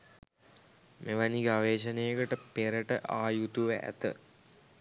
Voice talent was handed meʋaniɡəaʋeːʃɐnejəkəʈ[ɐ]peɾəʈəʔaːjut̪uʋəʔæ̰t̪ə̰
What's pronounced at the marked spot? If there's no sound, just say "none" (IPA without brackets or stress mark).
ə